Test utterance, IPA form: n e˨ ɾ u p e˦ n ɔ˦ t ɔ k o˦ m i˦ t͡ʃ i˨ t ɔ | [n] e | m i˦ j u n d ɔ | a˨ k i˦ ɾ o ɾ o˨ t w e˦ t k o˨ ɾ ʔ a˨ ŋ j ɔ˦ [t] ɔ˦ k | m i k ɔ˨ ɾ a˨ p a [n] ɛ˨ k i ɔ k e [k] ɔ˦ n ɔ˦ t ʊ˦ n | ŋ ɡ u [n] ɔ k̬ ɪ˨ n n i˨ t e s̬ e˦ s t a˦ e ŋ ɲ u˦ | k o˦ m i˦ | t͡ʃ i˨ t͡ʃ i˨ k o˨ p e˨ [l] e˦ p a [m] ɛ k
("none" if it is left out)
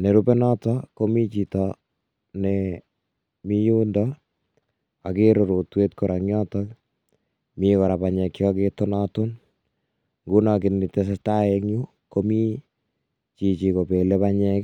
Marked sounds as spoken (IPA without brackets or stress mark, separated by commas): n, t, ɲ, t, n, l, ɲ